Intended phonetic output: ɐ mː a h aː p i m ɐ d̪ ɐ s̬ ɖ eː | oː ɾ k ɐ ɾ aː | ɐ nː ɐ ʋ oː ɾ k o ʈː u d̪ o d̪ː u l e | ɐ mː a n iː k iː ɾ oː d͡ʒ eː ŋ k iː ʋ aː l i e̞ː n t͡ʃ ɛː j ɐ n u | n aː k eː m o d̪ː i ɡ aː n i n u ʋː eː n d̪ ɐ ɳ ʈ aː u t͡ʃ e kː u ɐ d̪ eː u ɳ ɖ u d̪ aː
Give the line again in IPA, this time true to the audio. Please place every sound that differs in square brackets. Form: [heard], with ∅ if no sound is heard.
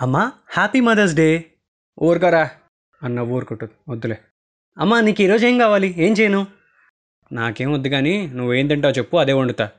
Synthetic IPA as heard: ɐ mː a h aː p i m ɐ d̪ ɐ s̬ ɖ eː | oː ɾ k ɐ ɾ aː | ɐ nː ɐ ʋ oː ɾ k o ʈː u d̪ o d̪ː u l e | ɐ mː a n iː k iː ɾ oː d͡ʒ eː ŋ k [aː] ʋ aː l i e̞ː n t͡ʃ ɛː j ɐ n u | n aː k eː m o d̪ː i ɡ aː n i n u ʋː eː n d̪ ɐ ɳ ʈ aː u t͡ʃ e [pː] u ɐ d̪ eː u ɳ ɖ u [t̪] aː